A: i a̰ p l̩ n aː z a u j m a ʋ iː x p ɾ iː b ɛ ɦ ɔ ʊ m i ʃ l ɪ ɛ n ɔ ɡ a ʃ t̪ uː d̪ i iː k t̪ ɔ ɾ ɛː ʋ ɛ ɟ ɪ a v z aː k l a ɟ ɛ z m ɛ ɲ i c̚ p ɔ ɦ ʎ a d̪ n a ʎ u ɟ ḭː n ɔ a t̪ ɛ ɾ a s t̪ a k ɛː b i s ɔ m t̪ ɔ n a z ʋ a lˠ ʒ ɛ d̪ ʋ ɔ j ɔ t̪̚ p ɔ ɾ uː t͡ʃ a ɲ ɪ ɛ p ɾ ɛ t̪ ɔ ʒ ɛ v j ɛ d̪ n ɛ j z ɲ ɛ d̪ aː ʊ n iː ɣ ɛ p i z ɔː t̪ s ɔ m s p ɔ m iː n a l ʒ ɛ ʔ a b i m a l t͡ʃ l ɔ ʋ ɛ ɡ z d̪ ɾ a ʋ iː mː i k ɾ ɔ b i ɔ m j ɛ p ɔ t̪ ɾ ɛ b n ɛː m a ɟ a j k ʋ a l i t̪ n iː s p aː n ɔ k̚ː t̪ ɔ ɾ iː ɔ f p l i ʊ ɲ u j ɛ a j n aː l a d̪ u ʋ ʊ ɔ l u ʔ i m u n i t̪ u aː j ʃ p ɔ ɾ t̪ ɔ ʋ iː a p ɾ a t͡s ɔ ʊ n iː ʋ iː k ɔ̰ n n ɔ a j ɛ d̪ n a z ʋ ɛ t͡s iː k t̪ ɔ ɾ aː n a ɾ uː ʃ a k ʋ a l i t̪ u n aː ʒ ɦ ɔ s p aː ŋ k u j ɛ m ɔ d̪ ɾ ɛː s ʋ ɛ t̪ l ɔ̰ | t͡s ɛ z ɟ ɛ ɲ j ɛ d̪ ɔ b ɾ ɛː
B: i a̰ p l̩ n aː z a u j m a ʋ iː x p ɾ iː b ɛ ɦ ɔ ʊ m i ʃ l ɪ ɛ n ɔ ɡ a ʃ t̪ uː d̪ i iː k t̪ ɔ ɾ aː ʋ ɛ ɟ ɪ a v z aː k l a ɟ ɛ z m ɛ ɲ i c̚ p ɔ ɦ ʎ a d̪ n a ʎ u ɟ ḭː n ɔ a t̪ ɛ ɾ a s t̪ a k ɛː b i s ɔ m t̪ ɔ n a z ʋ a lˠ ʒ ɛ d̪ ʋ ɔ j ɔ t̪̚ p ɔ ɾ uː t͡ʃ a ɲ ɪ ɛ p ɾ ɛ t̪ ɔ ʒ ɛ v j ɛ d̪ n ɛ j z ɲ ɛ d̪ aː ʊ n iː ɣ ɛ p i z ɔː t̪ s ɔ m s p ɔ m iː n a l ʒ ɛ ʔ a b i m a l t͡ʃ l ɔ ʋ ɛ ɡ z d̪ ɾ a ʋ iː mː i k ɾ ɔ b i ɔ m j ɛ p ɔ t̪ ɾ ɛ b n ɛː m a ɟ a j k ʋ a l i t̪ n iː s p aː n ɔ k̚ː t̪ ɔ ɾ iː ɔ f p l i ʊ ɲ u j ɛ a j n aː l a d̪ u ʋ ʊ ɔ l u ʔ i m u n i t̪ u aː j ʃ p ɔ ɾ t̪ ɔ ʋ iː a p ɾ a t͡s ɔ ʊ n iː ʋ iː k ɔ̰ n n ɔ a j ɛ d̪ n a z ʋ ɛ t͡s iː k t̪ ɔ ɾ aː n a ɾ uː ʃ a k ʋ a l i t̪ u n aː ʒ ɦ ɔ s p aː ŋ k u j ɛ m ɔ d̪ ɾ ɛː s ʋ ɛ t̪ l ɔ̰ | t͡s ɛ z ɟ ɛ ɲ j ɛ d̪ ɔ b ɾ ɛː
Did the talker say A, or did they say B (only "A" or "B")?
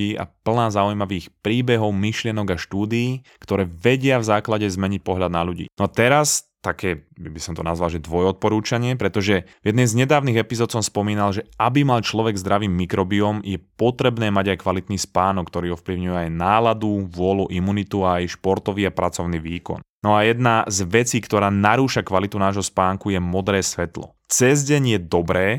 A